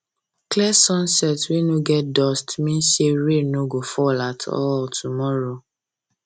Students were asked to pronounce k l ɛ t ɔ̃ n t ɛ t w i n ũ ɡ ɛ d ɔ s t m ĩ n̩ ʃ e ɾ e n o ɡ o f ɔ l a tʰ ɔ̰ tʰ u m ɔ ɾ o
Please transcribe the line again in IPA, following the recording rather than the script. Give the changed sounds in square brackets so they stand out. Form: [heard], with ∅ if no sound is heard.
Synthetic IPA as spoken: k l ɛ [s] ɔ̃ n [s] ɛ t w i n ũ ɡ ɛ d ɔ s t m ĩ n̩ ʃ e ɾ e n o ɡ o f ɔ l a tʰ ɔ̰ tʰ u m ɔ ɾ o